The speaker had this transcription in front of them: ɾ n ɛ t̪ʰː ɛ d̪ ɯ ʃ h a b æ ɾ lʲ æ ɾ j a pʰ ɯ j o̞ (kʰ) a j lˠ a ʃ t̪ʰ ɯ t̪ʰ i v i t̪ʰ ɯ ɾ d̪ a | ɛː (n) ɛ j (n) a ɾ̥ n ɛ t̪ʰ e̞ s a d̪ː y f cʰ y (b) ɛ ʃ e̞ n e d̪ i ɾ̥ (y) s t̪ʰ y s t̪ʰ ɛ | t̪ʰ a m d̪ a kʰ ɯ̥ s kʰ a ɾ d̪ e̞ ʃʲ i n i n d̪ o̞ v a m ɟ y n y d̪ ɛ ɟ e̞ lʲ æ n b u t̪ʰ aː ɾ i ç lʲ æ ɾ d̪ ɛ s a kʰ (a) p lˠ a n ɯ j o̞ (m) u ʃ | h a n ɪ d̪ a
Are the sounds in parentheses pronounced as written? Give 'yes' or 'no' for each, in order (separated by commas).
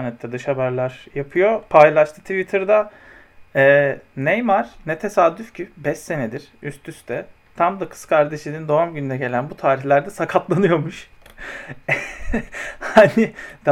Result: no, yes, no, yes, yes, yes, yes